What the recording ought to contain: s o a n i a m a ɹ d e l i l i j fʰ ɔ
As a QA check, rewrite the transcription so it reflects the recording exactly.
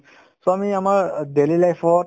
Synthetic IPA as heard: s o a m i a m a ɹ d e l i l a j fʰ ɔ